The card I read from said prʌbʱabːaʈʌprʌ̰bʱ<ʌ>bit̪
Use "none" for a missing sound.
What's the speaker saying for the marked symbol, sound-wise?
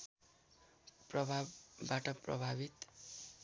a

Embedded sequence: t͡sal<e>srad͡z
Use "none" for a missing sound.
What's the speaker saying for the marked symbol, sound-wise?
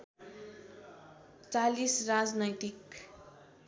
i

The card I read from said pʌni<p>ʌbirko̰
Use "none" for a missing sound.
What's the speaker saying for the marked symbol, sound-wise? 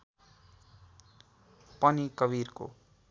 k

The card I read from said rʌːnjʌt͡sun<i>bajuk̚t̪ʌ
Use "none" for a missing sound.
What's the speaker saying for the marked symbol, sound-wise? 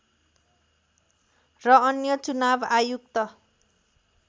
a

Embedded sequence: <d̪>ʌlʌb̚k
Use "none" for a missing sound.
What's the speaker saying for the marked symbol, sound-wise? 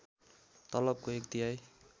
t̪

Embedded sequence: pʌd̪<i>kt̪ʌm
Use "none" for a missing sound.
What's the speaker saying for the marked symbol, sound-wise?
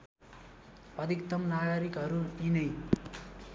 i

